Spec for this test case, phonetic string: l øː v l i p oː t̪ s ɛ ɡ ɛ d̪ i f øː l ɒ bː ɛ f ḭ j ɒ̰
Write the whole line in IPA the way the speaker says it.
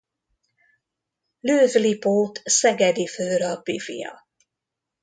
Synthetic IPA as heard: l øː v l i p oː t̪ s ɛ ɡ ɛ d̪ i f øː ɾ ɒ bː i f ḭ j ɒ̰